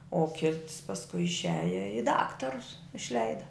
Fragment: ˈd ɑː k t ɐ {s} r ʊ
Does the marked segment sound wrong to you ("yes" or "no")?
yes